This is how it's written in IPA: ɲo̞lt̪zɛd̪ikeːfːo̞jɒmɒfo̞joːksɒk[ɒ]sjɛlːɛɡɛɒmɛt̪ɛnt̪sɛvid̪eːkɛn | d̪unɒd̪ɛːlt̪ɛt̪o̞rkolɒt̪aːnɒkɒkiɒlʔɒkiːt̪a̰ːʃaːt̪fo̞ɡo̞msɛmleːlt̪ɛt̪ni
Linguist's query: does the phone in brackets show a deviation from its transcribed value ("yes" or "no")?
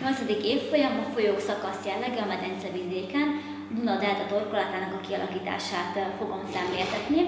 no